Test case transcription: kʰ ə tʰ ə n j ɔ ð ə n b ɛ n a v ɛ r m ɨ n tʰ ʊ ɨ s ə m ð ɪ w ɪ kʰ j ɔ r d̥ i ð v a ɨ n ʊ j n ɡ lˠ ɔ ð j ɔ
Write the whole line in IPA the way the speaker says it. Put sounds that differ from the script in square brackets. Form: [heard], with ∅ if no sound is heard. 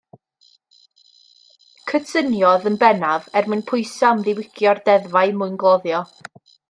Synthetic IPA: kʰ ə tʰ ə n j ɔ ð ə n b ɛ n a v ɛ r m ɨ n [pʰ] ʊ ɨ s [a] m ð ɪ w ɪ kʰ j ɔ r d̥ [ɛ] ð v a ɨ [m] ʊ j n ɡ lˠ ɔ ð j ɔ